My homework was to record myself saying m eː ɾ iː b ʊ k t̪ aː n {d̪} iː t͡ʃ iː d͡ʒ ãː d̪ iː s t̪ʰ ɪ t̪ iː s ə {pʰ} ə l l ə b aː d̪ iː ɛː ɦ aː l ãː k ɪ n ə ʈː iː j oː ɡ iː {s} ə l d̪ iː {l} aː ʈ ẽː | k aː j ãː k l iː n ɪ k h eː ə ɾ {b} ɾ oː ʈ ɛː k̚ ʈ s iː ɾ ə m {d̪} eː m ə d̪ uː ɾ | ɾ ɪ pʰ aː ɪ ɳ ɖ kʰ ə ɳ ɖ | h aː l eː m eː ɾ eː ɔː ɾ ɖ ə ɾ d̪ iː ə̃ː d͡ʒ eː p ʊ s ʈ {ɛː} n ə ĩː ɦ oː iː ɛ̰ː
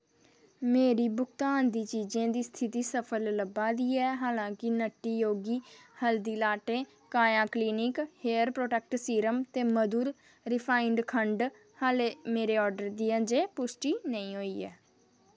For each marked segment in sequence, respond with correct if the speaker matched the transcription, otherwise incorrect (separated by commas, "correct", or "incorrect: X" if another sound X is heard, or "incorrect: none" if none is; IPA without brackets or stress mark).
correct, correct, incorrect: h, correct, incorrect: p, incorrect: t̪, incorrect: iː